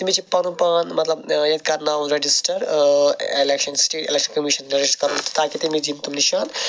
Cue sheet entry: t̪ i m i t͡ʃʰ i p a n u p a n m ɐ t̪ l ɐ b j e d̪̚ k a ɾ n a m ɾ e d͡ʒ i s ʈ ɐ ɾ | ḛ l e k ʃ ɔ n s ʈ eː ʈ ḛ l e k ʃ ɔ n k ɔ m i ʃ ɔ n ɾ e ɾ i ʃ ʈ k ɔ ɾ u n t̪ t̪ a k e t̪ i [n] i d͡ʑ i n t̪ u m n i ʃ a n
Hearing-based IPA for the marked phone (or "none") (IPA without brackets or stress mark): m